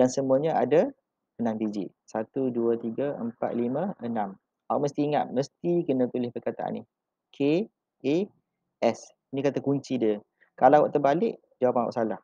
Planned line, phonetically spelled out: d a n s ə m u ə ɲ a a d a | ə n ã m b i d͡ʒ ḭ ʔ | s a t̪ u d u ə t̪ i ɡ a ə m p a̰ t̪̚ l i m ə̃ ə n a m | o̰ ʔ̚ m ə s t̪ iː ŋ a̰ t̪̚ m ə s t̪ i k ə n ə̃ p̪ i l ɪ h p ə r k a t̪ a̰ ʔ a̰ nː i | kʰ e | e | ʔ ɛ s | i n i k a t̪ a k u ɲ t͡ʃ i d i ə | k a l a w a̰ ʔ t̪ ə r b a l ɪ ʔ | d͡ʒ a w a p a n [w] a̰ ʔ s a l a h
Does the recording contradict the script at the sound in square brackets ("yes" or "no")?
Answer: no